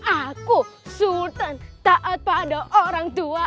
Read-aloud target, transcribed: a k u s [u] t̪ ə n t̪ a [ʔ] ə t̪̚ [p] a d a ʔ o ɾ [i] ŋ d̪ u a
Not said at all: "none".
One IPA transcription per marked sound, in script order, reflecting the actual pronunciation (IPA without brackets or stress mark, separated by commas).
u, ʔ, p, a